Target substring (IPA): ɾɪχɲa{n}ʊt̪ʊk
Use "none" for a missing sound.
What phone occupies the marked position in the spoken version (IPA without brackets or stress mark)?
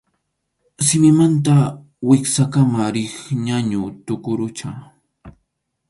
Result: ɲ